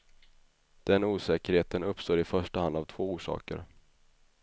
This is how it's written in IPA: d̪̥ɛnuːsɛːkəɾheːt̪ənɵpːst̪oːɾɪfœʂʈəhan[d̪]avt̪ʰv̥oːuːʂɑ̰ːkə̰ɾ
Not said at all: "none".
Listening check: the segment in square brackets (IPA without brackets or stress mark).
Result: d̪